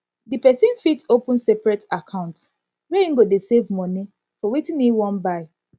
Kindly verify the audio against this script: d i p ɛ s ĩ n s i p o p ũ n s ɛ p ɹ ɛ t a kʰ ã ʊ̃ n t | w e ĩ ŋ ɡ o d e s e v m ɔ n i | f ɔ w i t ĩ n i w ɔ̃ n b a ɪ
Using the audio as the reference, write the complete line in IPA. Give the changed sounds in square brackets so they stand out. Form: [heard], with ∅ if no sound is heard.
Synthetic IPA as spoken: d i p ɛ s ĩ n [f] i [t] o p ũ n s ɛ p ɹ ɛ t a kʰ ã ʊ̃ n t | w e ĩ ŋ ɡ o d e s e v m ɔ n i | f ɔ w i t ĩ n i w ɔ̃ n b a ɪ